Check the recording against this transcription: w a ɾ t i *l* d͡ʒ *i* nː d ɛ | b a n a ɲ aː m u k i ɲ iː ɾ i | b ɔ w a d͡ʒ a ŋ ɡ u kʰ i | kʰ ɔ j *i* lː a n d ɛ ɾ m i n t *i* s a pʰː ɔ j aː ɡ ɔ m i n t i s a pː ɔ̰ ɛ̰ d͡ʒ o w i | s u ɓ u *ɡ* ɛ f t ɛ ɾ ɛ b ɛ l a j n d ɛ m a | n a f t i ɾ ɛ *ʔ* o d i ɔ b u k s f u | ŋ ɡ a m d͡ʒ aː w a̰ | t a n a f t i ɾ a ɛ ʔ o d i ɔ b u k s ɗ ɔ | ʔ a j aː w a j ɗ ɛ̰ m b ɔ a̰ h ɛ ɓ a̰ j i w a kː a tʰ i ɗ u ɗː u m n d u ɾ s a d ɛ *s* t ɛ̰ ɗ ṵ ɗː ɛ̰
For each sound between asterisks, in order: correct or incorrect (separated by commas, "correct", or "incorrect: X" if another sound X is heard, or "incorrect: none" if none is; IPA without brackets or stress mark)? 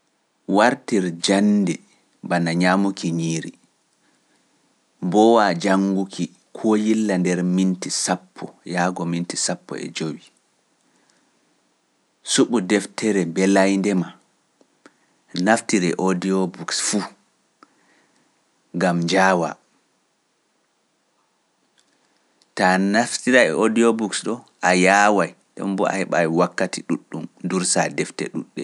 incorrect: ɾ, incorrect: a, correct, correct, incorrect: d, correct, incorrect: f